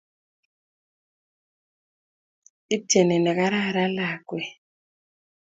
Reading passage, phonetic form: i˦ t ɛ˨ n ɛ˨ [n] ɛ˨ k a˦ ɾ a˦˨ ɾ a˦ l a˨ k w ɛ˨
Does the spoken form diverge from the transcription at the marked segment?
no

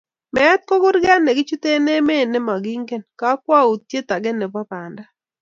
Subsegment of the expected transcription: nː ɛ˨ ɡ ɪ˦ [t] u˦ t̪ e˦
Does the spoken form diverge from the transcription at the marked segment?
yes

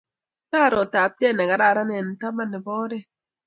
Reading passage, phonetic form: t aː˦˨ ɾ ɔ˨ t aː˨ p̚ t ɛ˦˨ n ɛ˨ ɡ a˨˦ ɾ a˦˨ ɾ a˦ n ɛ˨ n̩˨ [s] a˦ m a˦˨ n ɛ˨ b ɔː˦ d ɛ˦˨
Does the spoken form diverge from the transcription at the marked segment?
yes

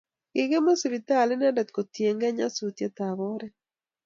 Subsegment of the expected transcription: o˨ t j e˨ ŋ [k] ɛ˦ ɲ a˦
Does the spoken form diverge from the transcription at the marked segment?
yes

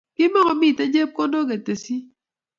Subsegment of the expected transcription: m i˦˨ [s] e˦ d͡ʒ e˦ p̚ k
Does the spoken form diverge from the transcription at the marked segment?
yes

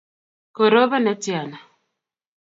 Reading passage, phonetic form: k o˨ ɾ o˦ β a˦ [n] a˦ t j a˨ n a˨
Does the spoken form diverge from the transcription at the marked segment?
no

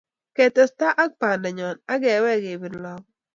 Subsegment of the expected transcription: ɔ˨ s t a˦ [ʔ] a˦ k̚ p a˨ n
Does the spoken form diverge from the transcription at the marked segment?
no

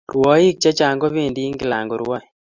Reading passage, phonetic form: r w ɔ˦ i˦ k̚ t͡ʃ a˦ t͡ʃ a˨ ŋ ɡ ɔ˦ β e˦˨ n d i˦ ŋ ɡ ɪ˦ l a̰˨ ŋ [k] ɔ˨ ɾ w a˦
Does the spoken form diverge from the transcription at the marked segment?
yes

